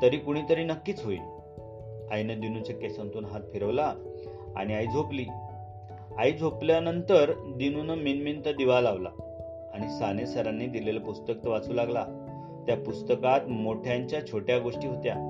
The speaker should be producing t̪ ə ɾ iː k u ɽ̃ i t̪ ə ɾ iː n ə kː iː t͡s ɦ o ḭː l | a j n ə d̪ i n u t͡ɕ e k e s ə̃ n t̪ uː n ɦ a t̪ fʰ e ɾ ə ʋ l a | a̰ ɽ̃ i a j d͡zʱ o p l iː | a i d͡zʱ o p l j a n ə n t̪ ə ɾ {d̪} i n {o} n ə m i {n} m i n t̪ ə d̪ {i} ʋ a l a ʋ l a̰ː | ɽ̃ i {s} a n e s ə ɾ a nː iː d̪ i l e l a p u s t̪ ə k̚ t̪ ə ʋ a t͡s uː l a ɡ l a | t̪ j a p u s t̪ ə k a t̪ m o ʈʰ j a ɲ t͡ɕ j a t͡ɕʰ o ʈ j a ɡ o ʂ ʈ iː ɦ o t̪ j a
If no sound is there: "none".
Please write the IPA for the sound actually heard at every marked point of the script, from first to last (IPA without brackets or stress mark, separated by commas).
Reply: d̪, u, n, i, s